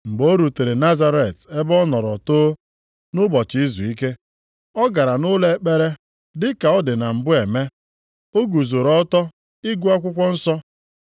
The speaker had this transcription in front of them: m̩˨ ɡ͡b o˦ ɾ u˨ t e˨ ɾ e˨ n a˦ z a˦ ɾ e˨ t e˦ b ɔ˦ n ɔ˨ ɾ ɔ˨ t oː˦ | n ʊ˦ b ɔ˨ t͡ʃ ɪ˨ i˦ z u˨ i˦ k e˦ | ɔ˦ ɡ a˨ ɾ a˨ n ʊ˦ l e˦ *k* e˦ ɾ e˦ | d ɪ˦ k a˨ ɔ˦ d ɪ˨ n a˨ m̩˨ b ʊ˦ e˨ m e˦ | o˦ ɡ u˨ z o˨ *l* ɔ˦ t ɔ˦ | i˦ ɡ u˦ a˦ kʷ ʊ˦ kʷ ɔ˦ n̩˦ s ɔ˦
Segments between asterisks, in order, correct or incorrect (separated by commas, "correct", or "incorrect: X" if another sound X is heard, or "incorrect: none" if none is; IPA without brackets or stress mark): incorrect: k͡p, incorrect: ɾ